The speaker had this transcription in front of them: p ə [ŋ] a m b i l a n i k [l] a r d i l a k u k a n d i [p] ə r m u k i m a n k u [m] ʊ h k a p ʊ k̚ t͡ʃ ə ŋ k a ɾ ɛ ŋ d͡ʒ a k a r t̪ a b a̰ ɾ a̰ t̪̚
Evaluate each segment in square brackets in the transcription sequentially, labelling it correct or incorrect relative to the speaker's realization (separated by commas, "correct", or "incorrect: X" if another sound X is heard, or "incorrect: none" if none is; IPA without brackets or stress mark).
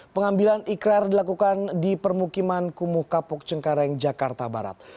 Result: correct, incorrect: ɾ, correct, correct